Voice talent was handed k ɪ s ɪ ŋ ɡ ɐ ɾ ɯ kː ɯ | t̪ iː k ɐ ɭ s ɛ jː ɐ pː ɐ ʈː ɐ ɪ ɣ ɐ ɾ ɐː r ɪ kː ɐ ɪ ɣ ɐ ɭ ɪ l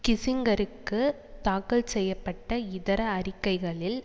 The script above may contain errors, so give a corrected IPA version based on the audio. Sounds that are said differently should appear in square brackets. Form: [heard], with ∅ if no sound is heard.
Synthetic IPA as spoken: k ɪ s ɪ ŋ ɡ ɐ ɾ ɯ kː ɯ | t̪ [aː] k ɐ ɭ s ɛ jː ɐ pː ɐ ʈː ɐ ɪ [ð] ɐ ɾ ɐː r ɪ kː ɐ ɪ ɣ ɐ ɭ ɪ l